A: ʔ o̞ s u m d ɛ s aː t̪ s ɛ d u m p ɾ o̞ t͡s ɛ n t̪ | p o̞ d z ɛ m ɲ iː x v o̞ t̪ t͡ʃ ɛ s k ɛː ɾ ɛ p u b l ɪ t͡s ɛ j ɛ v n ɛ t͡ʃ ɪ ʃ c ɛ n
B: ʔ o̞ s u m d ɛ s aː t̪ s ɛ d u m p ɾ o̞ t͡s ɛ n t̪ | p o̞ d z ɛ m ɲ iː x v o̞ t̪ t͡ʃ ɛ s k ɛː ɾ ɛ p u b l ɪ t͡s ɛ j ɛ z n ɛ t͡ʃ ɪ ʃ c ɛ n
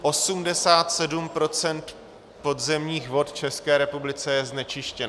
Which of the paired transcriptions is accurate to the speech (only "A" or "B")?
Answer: B